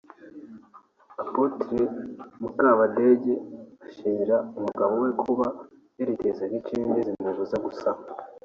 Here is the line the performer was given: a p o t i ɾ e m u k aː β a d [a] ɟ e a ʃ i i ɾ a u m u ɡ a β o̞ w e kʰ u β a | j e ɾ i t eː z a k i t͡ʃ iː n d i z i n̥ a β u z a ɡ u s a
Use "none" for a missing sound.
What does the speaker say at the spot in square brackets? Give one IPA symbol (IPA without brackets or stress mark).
e